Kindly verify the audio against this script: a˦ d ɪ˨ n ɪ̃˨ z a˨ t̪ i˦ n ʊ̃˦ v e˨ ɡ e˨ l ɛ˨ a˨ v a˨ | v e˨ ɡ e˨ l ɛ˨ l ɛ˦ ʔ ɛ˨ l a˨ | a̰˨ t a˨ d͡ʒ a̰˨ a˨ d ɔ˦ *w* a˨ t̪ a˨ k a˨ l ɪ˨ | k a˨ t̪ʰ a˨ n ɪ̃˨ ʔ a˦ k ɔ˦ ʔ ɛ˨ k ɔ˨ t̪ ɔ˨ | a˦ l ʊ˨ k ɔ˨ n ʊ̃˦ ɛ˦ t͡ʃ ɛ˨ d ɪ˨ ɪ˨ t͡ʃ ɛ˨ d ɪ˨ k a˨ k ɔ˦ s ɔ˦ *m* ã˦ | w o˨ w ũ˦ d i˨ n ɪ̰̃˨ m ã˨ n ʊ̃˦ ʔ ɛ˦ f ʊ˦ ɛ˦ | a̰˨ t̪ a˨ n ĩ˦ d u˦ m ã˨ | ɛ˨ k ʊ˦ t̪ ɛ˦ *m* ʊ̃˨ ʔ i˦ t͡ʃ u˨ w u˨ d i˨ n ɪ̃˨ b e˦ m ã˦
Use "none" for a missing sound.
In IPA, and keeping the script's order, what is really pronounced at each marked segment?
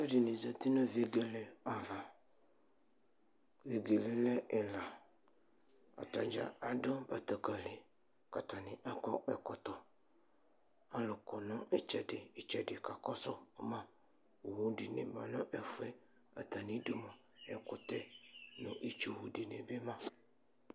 b, m, n

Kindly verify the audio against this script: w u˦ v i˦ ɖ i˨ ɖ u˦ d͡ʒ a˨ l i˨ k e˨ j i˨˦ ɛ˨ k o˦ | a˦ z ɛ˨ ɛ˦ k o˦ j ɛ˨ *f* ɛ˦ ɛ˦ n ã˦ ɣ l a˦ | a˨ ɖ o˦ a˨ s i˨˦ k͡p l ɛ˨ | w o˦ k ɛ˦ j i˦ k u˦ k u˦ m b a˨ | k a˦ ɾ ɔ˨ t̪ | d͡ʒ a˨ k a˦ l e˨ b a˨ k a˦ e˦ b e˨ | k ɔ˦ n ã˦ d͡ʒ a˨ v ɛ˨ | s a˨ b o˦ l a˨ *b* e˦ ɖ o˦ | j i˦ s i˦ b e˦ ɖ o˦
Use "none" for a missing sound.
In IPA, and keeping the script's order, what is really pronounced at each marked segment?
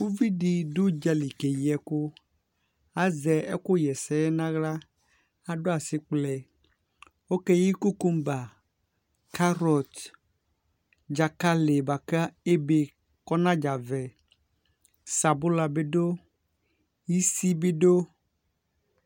s, b

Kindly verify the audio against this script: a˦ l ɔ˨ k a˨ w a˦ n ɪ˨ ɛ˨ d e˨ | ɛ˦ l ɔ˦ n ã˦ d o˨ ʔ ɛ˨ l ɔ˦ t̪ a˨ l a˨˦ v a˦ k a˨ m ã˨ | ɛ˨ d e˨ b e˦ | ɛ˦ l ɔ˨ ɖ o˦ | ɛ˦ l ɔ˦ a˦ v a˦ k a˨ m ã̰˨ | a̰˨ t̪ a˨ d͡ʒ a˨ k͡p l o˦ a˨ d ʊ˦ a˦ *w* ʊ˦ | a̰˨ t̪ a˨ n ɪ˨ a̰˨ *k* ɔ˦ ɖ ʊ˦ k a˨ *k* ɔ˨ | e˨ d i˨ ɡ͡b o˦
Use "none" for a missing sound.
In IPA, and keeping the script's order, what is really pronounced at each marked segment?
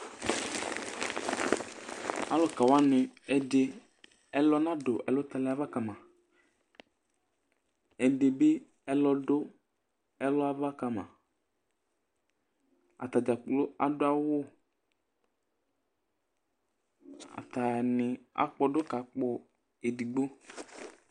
w, k͡p, k͡p

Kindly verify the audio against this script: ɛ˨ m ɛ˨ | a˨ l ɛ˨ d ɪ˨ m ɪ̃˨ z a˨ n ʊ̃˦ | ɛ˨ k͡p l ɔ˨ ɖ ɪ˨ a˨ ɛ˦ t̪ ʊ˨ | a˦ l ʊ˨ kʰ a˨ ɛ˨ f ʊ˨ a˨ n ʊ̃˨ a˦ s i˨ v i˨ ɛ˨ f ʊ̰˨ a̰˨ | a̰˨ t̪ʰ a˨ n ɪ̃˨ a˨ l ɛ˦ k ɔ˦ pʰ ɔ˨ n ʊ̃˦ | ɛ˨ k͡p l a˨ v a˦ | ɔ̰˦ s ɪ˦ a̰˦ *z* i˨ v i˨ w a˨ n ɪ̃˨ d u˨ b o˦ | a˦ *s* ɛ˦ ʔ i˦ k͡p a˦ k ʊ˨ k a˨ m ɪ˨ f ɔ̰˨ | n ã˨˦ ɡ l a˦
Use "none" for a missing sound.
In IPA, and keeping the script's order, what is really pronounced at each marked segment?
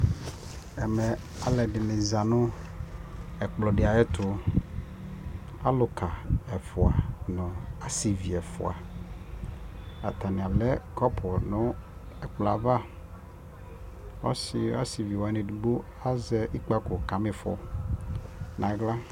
s, z

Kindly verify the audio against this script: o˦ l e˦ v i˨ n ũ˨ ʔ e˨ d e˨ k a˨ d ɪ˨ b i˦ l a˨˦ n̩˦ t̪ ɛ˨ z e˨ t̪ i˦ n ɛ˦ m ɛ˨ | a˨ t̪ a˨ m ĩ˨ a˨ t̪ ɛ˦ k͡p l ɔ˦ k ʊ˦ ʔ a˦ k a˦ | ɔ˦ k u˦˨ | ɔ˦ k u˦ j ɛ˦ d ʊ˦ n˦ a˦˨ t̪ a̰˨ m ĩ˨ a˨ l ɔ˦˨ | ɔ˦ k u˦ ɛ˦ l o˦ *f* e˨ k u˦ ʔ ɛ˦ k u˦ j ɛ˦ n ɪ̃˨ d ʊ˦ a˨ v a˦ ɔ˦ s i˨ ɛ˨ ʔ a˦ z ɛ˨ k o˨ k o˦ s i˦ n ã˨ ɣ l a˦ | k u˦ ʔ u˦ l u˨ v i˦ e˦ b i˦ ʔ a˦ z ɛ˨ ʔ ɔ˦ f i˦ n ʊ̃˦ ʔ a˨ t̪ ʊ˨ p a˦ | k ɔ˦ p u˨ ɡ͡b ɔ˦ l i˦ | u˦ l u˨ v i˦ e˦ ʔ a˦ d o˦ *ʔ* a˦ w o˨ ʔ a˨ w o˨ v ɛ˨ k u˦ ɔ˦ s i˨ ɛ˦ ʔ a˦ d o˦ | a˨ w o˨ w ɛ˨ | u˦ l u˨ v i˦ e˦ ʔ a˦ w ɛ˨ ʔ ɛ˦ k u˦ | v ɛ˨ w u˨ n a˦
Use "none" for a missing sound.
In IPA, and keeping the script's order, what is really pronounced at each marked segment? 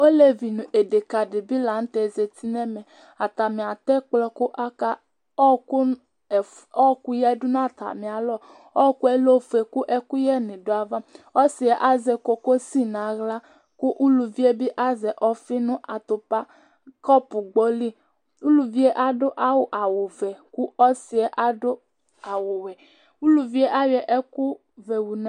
f, ʔ

